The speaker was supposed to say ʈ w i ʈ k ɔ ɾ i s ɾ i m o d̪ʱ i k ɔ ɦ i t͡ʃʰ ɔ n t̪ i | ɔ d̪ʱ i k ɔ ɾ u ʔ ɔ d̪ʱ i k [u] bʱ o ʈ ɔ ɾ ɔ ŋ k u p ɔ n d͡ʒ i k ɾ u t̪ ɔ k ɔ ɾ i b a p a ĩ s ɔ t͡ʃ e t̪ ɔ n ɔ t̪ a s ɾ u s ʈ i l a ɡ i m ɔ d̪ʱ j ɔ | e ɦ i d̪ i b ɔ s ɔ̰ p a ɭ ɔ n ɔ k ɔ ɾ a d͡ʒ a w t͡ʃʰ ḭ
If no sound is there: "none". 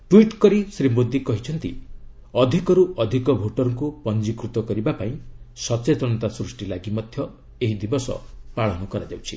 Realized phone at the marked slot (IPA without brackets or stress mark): ɔ